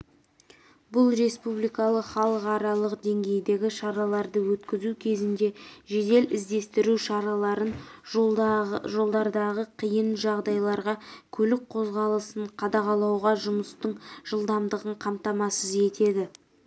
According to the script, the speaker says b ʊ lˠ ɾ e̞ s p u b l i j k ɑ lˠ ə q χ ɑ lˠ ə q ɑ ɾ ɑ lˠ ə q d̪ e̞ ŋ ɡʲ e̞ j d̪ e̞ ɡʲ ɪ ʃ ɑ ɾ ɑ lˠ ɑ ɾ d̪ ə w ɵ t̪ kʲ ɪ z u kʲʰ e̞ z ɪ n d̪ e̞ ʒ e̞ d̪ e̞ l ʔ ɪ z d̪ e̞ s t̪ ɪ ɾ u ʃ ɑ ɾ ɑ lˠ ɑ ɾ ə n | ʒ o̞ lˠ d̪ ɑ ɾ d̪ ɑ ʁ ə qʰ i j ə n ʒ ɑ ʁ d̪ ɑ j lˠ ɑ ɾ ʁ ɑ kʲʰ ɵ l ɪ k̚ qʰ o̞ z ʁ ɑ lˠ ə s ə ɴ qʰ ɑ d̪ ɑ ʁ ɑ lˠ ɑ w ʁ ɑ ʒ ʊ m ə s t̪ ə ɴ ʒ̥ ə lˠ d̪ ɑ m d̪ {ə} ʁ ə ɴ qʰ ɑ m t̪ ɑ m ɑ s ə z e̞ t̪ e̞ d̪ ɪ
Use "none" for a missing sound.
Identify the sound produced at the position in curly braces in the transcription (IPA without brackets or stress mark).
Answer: ə